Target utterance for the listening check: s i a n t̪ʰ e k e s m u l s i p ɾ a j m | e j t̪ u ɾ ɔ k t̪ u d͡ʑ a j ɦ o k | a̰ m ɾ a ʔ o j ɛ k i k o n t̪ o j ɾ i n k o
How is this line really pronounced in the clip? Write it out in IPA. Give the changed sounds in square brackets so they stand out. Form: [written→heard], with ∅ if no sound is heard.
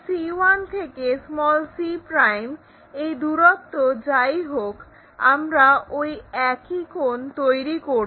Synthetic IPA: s i a n t̪ʰ e k e s m [u→ɔ] l s i p ɾ a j m | e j [t̪→d̪] u ɾ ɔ k t̪ [u→o] d͡ʑ a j ɦ o k | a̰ m ɾ a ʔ o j ɛ k i k o n t̪ o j ɾ i [n→∅] k o